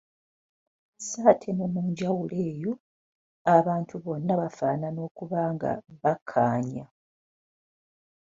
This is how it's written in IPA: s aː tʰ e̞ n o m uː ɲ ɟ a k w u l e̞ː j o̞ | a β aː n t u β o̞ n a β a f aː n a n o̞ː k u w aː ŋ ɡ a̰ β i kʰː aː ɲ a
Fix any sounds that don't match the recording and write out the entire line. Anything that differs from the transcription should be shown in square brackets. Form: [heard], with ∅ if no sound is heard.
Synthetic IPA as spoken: s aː tʰ e̞ n o m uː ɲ ɟ a [∅] w u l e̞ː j o̞ | a β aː n t u β o̞ [nː] a β a f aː n a n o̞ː k u [β] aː ŋ ɡ a̰ β [a] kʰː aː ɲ a